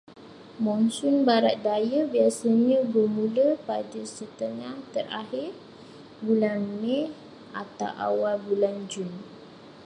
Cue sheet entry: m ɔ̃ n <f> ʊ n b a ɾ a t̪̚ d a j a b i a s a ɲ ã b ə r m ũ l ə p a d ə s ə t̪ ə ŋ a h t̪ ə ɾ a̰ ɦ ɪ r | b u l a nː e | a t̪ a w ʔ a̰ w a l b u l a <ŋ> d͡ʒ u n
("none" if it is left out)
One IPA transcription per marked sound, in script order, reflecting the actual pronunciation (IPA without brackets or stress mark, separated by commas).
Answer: s, n